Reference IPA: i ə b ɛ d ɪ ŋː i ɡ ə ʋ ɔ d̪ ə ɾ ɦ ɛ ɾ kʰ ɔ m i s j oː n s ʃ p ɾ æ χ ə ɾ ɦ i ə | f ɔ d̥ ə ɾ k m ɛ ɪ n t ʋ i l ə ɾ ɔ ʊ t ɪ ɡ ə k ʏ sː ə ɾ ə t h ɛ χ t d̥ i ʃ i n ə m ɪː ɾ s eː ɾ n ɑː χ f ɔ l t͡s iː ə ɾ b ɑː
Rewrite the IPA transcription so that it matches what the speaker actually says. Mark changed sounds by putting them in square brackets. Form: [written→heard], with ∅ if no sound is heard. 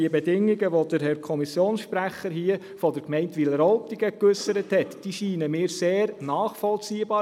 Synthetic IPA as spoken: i ə b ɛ d ɪ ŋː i ɡ ə ʋ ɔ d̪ ə ɾ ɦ ɛ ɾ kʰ ɔ m i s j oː n s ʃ p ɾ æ χ ə ɾ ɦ i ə | f ɔ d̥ ə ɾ k m ɛ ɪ n t ʋ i l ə ɾ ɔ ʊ t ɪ ɡ ə k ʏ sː ə ɾ ə t h ɛ [χ→∅] t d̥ i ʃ [i→iː] n ə m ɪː ɾ s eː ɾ n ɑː χ f ɔ l t͡s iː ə [ɾ→∅] b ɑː

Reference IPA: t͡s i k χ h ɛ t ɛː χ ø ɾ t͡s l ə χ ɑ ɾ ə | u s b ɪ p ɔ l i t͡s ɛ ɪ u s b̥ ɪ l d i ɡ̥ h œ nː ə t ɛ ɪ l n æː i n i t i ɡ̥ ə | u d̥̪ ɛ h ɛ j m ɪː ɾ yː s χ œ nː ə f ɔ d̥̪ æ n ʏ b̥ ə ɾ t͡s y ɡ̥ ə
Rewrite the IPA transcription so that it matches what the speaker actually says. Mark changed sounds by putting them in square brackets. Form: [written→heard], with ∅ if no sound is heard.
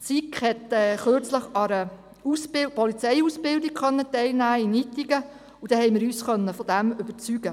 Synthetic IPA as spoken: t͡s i k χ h ɛ t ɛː χ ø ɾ t͡s l ə χ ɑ ɾ ə | u s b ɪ p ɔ l i t͡s ɛ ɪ u s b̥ ɪ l d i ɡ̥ [h→χ] œ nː ə t ɛ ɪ l n æː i n i t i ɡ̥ ə | u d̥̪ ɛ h ɛ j m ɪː ɾ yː s χ œ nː ə f ɔ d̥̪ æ [n→m] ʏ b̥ ə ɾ t͡s y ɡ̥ ə

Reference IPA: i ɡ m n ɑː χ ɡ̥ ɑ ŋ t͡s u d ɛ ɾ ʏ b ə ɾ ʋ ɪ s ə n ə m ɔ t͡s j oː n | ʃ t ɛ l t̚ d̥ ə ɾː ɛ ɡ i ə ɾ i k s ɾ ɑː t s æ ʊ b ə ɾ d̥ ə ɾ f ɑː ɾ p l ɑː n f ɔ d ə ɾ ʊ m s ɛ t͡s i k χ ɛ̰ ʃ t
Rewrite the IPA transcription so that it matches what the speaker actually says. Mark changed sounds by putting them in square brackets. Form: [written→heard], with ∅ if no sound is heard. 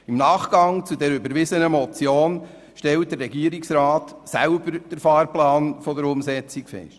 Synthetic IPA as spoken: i [ɡ→∅] m n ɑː χ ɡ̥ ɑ ŋ t͡s u d ɛ ɾ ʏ b ə ɾ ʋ ɪ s ə n ə m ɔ t͡s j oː n | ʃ t ɛ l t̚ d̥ ə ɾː ɛ ɡ i ə ɾ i k s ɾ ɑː t s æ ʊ b ə ɾ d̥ ə ɾ f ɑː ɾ p l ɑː n f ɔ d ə ɾ ʊ m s ɛ t͡s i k [χ→f] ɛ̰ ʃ t

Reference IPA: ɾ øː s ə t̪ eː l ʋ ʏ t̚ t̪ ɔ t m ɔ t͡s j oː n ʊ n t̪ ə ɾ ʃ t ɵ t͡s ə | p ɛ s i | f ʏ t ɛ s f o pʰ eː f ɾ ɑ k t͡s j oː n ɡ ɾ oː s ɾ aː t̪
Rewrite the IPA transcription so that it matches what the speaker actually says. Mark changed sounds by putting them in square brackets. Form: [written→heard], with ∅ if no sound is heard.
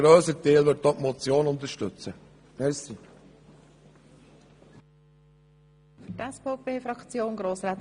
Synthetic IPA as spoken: ɾ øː s ə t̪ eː l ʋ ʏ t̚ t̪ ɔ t m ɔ t͡s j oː n ʊ n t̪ ə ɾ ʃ t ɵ t͡s ə | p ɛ s i | f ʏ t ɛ s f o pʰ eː f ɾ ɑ k t͡s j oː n ɡ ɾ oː s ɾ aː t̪

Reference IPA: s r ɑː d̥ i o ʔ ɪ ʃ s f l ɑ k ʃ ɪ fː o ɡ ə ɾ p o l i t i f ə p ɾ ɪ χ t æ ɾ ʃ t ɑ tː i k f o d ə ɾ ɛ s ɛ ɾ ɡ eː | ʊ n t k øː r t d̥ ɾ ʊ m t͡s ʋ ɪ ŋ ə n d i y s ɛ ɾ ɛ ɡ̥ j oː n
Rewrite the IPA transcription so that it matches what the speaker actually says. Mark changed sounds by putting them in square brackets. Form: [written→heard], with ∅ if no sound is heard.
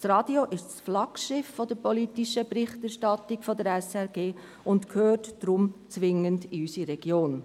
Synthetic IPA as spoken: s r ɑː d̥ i o ʔ ɪ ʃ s f l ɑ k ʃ ɪ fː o [ɡ→d] ə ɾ p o l i t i [f→ʃ] ə p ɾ ɪ χ t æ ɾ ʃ t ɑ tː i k f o d ə ɾ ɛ s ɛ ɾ ɡ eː | ʊ n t [k→kʰ] øː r t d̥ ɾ ʊ m t͡s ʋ ɪ ŋ ə n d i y s [ɛ→i] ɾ ɛ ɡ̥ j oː n

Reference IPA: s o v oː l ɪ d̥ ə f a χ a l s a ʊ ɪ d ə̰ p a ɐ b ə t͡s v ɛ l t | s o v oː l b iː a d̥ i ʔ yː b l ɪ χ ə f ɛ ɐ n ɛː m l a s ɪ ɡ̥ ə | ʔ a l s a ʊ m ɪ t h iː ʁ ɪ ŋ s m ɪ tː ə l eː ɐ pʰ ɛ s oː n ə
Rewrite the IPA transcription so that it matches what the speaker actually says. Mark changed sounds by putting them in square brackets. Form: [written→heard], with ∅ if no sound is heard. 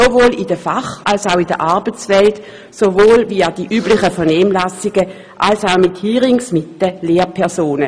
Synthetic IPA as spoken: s o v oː l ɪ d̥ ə f a χ a l s a ʊ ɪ d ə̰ [p→ʔ] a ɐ b ə t͡s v ɛ l t | s o v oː l [b→v] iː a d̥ i ʔ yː b l ɪ χ ə f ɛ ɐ n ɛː m l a s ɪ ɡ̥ ə | ʔ a l s a ʊ m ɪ t h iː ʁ ɪ ŋ s m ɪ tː ə l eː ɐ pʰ ɛ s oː n ə

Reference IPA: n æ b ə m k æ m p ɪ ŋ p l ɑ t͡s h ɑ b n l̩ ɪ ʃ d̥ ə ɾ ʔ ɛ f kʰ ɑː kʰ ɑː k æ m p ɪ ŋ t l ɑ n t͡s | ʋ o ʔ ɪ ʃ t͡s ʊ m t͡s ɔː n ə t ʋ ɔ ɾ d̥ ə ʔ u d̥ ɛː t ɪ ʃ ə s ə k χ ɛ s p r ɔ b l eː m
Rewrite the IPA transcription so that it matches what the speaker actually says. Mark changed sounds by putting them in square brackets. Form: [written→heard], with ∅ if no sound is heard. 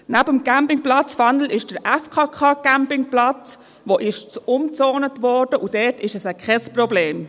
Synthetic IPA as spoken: n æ b ə m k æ m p ɪ ŋ p l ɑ t͡s [h→f] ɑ [b→∅] n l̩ ɪ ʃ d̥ ə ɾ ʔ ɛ f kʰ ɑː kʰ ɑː k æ m p ɪ ŋ [t→p] l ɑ [n→∅] t͡s | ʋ o ʔ ɪ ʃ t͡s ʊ m t͡s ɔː n ə t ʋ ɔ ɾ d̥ ə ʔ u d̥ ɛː t ɪ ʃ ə s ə k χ ɛ s p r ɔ b l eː m

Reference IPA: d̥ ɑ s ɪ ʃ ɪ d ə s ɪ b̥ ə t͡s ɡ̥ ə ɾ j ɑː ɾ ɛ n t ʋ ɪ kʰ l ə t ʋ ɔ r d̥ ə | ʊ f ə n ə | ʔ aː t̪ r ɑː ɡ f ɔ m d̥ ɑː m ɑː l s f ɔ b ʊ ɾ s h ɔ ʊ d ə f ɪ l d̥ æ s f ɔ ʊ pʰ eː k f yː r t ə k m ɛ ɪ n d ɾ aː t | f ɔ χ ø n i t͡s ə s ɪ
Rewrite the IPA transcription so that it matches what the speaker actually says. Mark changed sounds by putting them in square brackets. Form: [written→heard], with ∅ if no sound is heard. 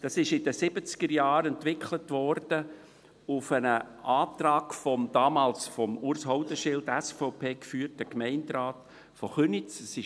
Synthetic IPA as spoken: d̥ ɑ s ɪ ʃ ɪ d ə s ɪ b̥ ə t͡s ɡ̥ ə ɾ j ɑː ɾ ɛ n t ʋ ɪ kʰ l ə t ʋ ɔ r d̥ ə | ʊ f ə n ə | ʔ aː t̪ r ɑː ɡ f ɔ m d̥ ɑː m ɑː l s f ɔ [b→m] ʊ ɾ s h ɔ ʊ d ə [f→ʃ] ɪ l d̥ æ s f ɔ ʊ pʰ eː k f yː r t ə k m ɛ ɪ n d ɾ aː t | f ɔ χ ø n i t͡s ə s ɪ

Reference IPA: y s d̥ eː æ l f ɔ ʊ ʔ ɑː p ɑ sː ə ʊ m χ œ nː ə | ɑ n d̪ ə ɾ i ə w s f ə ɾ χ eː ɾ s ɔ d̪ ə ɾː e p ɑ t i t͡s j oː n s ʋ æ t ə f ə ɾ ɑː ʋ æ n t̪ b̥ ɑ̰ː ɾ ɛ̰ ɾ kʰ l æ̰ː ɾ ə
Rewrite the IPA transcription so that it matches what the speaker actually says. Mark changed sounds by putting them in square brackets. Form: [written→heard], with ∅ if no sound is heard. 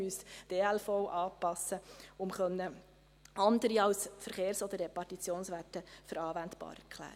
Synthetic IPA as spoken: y s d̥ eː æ l f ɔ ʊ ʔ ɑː p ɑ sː ə ʊ m χ œ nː ə | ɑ n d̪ ə ɾ i [ə→ɑ] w s f ə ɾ χ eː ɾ s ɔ d̪ ə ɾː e p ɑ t i t͡s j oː n s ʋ æ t ə f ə ɾ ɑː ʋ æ n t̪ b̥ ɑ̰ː ɾ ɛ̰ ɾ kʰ l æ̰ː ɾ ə

